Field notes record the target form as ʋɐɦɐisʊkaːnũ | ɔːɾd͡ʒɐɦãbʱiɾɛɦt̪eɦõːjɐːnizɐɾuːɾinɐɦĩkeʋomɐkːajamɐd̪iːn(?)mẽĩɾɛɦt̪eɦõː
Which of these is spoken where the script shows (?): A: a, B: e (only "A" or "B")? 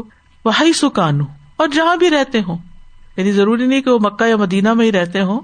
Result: A